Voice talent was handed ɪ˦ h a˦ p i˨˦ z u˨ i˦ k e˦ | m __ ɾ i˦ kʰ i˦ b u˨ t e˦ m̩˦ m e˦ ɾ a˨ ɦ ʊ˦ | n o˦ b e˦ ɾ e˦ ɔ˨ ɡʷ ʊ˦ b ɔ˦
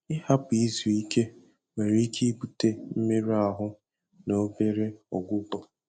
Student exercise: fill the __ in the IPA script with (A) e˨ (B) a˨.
A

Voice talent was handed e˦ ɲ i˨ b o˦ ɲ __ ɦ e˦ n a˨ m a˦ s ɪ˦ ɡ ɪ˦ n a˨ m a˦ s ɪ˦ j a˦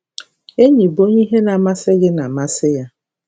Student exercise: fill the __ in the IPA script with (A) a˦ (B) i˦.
B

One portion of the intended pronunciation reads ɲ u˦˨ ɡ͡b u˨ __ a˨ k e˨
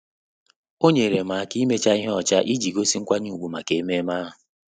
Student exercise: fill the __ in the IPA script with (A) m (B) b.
A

